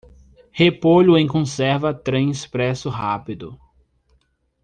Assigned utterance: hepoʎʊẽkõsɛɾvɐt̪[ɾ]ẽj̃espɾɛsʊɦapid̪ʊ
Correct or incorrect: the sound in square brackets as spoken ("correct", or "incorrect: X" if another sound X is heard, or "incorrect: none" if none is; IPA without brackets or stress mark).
correct